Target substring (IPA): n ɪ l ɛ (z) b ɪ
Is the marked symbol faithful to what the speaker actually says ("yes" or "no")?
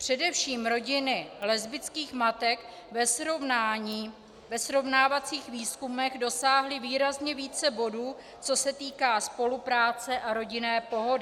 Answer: yes